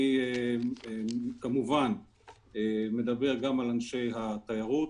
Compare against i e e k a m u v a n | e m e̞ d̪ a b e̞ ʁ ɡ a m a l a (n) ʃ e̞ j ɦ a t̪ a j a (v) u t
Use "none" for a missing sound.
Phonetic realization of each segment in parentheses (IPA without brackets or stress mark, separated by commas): n, ʁ